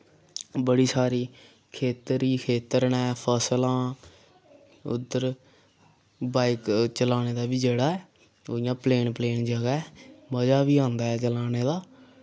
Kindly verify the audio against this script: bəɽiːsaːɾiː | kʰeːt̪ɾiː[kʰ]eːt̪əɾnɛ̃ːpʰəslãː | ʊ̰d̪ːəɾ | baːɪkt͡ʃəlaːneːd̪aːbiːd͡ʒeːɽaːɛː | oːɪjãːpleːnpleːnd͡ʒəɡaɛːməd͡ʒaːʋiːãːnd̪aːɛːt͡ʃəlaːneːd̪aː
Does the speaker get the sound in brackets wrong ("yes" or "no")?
no